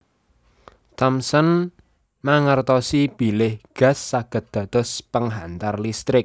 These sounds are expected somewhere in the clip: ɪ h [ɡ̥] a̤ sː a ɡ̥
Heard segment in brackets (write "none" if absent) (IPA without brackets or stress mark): ɡ̥